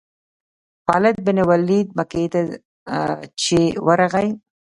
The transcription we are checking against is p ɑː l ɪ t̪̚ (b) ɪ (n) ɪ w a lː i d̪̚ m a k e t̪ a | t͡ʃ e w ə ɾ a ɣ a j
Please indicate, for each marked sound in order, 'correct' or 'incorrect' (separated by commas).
correct, correct